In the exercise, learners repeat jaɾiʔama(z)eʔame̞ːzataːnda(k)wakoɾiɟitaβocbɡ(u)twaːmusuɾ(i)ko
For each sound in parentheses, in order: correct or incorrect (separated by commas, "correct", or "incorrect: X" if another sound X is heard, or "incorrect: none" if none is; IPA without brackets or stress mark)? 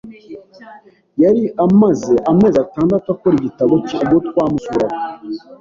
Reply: correct, incorrect: t, incorrect: o, incorrect: a